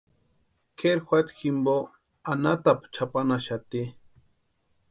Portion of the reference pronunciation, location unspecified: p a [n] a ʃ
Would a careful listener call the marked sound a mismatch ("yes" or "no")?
no